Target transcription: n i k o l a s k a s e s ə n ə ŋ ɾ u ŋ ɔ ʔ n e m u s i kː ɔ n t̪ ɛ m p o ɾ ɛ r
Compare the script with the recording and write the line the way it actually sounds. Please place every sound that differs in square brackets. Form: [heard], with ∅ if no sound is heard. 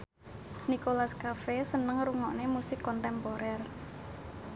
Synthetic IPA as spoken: n i k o l a s k a [f] e s ə n ə ŋ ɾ u ŋ ɔ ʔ n e m u s [ɪ] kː ɔ n t̪ ɛ m p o ɾ ɛ r